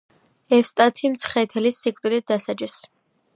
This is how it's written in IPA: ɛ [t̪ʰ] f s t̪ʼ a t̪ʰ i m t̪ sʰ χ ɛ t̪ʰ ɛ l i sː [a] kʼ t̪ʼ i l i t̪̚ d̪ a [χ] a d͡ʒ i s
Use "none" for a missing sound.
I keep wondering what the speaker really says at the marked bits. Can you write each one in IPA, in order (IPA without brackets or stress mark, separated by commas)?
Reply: none, i, s